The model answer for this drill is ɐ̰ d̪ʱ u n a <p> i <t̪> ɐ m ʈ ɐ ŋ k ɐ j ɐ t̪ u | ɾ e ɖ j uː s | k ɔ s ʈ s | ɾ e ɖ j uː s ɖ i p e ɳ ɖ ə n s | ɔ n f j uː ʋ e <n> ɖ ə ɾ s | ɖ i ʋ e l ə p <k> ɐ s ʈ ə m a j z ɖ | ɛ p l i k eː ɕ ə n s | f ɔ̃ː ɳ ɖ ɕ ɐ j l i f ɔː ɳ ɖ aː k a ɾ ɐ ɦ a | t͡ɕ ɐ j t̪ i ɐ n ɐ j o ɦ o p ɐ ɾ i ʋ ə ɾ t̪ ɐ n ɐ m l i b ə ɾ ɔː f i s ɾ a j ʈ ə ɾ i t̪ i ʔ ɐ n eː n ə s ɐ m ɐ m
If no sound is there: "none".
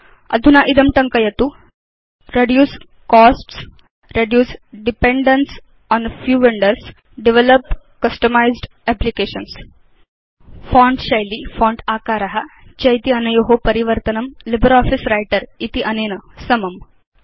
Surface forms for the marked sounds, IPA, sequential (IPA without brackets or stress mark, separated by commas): ʔ, d̪, ɳ, k